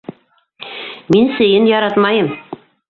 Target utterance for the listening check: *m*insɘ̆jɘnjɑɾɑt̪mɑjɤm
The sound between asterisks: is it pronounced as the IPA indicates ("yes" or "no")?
yes